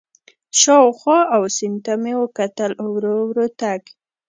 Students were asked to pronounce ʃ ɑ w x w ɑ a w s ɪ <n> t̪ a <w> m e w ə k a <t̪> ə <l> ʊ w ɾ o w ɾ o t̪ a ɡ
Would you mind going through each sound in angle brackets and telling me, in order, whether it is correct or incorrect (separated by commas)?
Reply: correct, incorrect, correct, correct